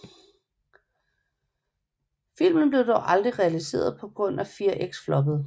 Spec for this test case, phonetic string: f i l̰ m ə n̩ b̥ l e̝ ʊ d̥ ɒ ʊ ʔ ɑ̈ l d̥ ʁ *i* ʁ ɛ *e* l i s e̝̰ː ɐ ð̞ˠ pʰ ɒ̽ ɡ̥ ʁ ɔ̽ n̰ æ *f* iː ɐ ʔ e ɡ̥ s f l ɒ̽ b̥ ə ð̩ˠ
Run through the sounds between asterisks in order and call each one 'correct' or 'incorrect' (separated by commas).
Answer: correct, incorrect, correct